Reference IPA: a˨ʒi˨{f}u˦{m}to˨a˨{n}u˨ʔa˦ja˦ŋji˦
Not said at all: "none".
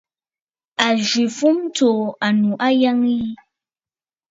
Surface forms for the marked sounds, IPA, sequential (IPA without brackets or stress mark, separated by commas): f, m, n